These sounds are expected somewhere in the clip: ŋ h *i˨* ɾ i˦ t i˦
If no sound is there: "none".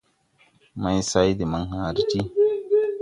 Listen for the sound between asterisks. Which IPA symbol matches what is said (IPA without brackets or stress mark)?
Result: a˨